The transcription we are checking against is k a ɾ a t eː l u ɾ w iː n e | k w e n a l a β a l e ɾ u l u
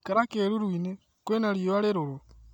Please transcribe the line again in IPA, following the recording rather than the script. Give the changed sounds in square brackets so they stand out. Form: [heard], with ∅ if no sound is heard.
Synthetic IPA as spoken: k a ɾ a [k] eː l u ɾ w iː n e | k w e n a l [i] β a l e ɾ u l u

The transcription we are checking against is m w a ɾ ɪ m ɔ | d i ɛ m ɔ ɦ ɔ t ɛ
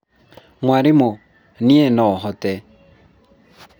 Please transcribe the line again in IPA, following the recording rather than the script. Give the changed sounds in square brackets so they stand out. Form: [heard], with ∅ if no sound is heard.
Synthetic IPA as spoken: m w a ɾ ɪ m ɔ | [n] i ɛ [n] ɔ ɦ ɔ t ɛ

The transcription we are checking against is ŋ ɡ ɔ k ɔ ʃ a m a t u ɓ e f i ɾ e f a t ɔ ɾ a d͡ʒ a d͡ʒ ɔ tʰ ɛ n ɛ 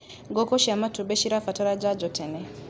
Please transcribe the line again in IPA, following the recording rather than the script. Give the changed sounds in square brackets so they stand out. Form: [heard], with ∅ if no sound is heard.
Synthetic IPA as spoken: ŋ ɡ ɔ k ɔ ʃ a m a t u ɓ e [ʃ] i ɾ [a] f a t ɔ ɾ a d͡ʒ a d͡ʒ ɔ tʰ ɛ n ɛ

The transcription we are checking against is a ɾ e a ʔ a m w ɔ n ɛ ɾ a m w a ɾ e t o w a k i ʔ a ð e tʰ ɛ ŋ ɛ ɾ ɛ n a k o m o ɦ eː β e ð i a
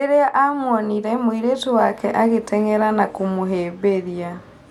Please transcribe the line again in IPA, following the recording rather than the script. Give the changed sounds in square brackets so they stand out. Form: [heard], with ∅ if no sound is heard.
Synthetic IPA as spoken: [e] ɾ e a ʔ a m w ɔ n [i] ɾ [ɛ] m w [i] ɾ e t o w a k [ɛ] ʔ a [ɣ] e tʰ ɛ ŋ ɛ ɾ [a] n a k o m o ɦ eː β e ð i a

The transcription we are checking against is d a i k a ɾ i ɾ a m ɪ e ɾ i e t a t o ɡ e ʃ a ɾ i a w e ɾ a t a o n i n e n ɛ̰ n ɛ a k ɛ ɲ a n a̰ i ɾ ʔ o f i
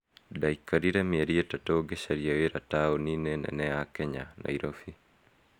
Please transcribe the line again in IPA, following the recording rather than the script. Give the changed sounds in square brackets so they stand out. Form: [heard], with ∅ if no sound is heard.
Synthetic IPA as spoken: d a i k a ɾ i ɾ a m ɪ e ɾ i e t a t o ɡ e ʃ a ɾ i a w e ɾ a t a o n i n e n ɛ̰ n ɛ a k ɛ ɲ a n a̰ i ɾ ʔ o f i

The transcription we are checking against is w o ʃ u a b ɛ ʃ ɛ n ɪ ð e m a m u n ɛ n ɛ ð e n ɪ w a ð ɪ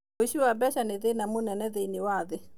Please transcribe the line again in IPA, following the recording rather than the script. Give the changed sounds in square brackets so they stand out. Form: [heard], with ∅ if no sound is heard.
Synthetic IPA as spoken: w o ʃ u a b ɛ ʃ [a] n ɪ ð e [n] a m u n ɛ n ɛ ð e n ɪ w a ð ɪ

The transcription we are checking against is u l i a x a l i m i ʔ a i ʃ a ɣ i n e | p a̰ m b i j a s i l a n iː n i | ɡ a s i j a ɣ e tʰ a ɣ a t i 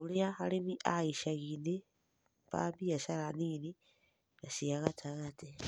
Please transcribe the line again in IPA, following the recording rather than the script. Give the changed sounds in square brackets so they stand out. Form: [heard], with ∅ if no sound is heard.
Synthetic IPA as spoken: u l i a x a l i m i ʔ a i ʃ a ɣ i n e | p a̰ m b i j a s [a] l a n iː n i | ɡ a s i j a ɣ [a] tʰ a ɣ a t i

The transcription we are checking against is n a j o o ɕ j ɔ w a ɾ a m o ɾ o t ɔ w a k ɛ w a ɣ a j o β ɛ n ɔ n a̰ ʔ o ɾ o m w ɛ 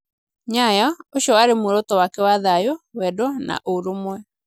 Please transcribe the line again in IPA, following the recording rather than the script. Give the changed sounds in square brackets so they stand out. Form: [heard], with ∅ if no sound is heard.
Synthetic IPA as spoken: [ɲ] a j [ɔ] o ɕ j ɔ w a ɾ [e] m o ɾ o t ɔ w a k ɛ w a [ð] a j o [w] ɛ [d] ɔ n a̰ ʔ o ɾ o m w ɛ

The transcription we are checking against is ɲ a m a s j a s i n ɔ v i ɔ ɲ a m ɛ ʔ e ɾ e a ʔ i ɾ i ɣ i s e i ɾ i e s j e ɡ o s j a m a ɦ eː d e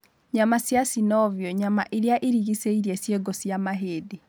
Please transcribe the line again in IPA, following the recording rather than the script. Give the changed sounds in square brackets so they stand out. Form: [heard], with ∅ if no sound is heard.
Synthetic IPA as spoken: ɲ a m a s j a s i n ɔ v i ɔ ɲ a m [a] ʔ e ɾ e a ʔ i ɾ i ɣ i s e i ɾ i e s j e ɡ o s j a m a ɦ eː d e

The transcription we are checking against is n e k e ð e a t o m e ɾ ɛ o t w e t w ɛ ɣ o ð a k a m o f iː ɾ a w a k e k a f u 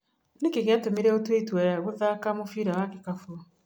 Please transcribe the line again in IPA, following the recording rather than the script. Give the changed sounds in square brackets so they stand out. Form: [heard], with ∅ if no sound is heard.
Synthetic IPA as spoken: n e k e [ɣ] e a t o m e ɾ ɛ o t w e t w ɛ ɣ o ð a k a m o f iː ɾ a w a k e k a f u

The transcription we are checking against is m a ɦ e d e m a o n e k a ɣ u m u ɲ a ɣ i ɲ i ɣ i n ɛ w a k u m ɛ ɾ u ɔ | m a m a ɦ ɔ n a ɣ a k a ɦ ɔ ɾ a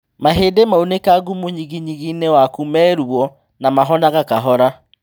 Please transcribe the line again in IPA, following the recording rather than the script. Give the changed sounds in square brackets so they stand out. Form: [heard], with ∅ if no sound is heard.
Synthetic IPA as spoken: m a ɦ e d e m a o n e k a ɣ u m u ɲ [i] ɣ i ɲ i ɣ i n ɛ w a k u m ɛ ɾ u ɔ | [n] a m a ɦ ɔ n a ɣ a k a ɦ ɔ ɾ a

